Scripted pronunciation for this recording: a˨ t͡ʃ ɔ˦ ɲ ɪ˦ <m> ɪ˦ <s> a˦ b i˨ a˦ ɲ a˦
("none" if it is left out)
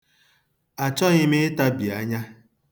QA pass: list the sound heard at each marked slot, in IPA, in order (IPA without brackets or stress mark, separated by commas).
m, t